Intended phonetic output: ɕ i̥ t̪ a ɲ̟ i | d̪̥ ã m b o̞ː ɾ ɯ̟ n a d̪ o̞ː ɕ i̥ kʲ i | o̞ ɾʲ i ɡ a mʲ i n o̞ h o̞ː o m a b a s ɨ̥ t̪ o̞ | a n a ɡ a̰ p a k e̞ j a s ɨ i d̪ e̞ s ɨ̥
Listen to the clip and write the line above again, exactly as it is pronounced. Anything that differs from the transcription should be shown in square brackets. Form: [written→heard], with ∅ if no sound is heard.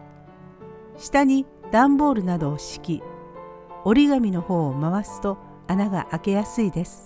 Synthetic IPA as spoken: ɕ i̥ t̪ a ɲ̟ i | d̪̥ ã m b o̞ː ɾ ɯ̟ n a d̪ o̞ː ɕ i̥ kʲ i | o̞ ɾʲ i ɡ a mʲ i n o̞ h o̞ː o m a [b→β] a s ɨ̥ t̪ o̞ | a n a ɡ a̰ [p→ʔ] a k e̞ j a s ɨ i d̪ e̞ s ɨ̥